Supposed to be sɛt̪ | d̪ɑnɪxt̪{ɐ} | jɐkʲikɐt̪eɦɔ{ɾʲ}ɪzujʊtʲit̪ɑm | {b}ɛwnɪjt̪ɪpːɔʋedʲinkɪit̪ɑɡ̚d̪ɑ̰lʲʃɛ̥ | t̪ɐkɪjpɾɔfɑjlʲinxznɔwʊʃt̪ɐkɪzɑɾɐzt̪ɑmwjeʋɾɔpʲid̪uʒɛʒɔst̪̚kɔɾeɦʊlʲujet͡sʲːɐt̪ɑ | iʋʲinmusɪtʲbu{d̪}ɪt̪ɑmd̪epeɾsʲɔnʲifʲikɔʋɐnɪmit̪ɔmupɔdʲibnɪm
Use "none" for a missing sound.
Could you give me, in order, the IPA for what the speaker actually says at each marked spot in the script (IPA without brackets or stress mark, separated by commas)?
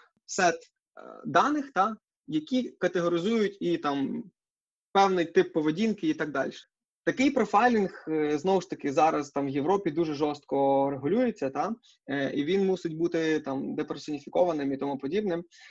ɑ, ɾʲ, p, t̪